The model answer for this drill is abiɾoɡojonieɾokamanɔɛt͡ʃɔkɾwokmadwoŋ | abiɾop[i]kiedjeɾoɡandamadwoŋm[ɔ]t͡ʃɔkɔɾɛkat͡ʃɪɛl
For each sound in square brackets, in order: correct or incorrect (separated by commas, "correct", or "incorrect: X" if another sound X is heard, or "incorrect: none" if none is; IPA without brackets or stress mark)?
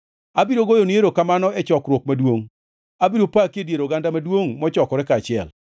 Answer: incorrect: a, correct